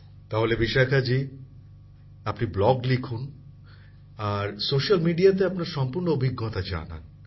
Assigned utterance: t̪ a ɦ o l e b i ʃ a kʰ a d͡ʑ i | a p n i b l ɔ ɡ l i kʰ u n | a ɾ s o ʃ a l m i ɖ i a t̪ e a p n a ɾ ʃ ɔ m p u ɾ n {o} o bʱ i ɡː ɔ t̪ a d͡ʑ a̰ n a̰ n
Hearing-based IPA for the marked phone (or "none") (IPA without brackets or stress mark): o